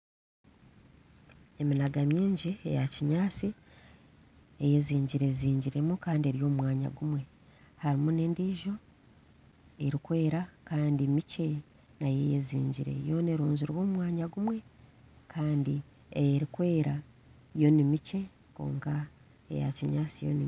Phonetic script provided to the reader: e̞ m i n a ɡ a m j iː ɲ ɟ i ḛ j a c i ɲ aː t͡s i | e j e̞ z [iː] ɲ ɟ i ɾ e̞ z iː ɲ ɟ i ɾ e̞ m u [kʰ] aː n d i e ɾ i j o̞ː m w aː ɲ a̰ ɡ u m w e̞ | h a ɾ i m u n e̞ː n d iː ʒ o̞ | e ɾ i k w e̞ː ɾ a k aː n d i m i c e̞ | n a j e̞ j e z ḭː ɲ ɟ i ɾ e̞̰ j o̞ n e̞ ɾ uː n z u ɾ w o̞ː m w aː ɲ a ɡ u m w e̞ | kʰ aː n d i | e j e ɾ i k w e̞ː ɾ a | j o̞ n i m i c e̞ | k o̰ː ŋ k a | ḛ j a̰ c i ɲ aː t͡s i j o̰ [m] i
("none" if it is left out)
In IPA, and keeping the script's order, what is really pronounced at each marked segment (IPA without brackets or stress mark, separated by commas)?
iː, k, n